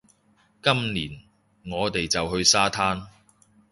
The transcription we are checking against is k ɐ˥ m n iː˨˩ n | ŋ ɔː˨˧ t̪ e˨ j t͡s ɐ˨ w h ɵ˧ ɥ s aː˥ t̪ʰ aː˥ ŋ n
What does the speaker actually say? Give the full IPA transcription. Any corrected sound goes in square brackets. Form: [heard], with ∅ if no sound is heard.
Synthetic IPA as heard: k ɐ˥ m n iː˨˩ n | ŋ ɔː˨˧ t̪ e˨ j t͡s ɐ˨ w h ɵ˧ ɥ s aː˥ t̪ʰ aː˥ [∅] n